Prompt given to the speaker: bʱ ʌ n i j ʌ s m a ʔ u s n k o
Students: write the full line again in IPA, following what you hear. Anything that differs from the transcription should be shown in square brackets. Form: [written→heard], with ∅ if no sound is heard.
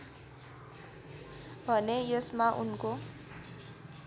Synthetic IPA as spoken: bʱ ʌ n [i→e] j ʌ s m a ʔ u [s→∅] n k o

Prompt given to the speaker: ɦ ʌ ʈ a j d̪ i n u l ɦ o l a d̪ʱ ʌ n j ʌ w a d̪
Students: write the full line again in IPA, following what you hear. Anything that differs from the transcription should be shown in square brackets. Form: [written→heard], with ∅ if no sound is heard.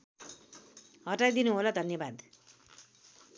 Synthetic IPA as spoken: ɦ ʌ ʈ a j d̪ i n u [l→∅] ɦ o l a d̪ʱ ʌ n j ʌ [w→b] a d̪

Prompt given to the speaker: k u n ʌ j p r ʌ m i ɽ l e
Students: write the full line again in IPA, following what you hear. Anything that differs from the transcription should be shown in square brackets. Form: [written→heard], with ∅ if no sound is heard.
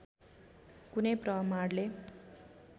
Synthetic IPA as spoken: k u n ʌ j p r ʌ m [i→a] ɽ l e

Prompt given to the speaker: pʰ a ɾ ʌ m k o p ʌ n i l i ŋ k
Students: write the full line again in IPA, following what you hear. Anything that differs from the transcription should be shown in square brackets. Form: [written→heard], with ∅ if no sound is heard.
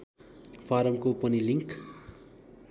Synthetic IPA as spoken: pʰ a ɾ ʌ m k o p ʌ n i l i ŋ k

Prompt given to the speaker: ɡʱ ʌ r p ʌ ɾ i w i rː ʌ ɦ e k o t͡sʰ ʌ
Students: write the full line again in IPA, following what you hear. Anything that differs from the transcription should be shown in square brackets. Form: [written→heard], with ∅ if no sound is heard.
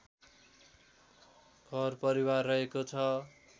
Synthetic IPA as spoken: ɡʱ ʌ r p ʌ ɾ i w [i→a] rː ʌ ɦ e k o t͡sʰ ʌ

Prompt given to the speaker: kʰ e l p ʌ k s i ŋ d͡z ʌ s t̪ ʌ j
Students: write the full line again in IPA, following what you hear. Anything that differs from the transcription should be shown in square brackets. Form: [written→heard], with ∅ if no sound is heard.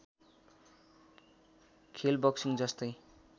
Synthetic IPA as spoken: kʰ e l [p→b] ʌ k s i ŋ d͡z ʌ s t̪ ʌ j

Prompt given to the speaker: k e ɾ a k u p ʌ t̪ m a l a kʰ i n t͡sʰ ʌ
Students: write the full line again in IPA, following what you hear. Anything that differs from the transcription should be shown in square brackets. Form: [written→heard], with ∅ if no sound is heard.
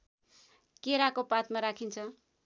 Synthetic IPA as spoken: k e ɾ a k [u→o] p [ʌ→a] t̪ m a [l→ɾ] a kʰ i n t͡sʰ ʌ

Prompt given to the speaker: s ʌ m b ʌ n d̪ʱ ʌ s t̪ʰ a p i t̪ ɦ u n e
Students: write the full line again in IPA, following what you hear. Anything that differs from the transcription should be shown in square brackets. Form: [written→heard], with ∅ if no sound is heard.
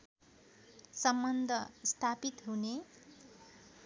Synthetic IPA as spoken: s ʌ m b ʌ n d̪ʱ ʌ s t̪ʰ a p i t̪ ɦ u n e

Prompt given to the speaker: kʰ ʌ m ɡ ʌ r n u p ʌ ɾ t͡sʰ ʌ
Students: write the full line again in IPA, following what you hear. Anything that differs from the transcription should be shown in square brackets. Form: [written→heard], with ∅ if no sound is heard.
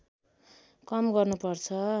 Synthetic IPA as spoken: [kʰ→k] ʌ m ɡ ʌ r n u p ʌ [ɾ→r] t͡sʰ ʌ

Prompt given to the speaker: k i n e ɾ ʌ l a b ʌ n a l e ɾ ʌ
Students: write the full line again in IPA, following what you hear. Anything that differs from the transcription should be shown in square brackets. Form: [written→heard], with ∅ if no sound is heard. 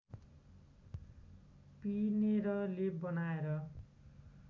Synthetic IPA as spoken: [k→p] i n e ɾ ʌ l [a→e] b ʌ n a [l→∅] e ɾ ʌ

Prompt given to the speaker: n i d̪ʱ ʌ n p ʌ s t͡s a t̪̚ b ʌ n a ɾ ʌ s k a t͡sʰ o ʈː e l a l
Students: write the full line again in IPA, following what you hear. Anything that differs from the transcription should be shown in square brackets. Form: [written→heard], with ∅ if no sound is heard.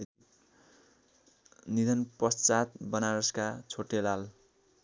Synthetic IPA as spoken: n i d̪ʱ ʌ n p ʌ s t͡s a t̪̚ b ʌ n a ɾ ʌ s k a t͡sʰ o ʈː e l a l

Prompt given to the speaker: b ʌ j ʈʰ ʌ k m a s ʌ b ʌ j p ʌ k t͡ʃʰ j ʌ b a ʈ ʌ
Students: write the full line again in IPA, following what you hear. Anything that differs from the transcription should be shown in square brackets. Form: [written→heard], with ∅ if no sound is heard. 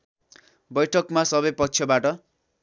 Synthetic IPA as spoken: b ʌ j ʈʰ ʌ k m a s ʌ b ʌ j p ʌ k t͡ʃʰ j ʌ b a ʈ ʌ

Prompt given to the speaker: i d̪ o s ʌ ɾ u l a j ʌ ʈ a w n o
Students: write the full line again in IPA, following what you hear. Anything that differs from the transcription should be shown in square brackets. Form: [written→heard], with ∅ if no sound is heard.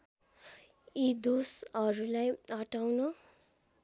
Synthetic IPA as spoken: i d̪ o s ʌ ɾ u l a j ʌ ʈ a w n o

